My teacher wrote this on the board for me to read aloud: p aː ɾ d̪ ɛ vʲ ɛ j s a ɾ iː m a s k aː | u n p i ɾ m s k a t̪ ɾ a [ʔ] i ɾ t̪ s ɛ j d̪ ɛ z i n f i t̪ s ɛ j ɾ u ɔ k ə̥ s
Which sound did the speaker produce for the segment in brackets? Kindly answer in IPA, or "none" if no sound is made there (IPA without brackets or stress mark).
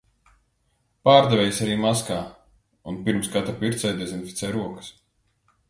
p